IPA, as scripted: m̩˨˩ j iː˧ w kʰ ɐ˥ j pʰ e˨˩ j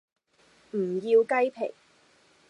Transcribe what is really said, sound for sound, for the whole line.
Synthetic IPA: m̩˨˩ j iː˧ w k ɐ˥ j pʰ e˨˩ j